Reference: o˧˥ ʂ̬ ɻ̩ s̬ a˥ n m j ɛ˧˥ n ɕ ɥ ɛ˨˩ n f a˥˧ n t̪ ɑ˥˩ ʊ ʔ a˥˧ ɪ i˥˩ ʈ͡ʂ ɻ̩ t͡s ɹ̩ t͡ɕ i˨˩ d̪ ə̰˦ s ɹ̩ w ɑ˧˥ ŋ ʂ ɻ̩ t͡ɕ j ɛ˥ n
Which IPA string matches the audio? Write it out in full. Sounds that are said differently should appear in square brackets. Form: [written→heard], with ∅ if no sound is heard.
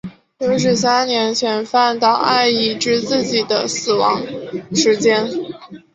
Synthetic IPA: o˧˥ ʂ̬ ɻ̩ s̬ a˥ n [m→n] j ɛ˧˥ n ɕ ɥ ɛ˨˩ n f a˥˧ n t̪ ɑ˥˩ ʊ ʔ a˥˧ ɪ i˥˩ ʈ͡ʂ ɻ̩ t͡s ɹ̩ t͡ɕ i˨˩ d̪ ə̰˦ s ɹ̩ w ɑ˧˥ ŋ ʂ ɻ̩ t͡ɕ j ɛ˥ n